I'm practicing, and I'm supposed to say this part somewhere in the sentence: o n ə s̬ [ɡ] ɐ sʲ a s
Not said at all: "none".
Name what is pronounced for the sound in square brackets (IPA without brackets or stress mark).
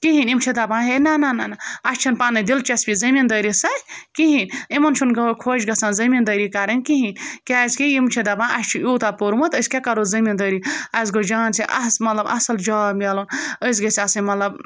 ɡ